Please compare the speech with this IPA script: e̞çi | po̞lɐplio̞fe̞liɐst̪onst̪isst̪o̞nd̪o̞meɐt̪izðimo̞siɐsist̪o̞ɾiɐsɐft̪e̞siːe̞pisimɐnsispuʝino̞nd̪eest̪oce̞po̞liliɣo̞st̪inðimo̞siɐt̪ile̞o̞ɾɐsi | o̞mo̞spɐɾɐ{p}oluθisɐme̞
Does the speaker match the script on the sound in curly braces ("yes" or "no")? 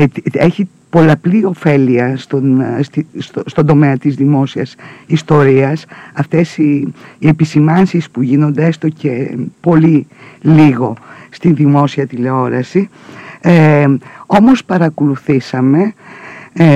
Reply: no